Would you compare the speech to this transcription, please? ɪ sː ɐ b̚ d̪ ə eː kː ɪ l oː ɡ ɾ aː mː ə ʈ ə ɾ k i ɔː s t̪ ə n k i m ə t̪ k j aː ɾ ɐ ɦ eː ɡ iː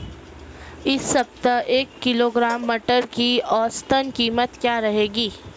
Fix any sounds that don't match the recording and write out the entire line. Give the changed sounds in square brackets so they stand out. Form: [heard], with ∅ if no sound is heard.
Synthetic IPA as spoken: ɪ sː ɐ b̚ [t̪] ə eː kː ɪ l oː ɡ ɾ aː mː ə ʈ ə ɾ k i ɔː s t̪ ə n k [iː] m ə t̪ k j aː ɾ ɐ ɦ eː ɡ iː